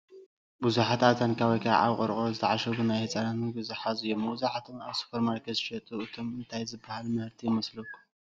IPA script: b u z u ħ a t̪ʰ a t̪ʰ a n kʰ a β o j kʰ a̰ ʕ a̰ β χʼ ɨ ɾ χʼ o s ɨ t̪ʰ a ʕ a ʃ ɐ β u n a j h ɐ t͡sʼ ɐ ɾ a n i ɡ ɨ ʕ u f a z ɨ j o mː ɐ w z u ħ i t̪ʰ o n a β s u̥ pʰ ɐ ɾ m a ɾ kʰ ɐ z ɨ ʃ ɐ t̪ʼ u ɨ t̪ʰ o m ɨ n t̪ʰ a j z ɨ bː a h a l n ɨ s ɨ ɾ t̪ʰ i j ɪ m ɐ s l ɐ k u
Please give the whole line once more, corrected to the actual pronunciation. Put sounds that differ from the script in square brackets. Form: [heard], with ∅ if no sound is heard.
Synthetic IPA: b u z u ħ a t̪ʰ a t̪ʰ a n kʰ a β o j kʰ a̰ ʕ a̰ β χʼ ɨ ɾ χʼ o [z] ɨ t̪ʰ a ʕ a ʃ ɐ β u n a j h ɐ t͡sʼ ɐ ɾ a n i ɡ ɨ [z] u [ħ] a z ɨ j o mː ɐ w z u ħ [a] t̪ʰ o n a β s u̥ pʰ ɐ ɾ m a ɾ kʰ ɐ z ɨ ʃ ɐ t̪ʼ u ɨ t̪ʰ o m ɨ n t̪ʰ a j z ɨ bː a h a l [m] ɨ [h] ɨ ɾ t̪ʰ i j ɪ m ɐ s l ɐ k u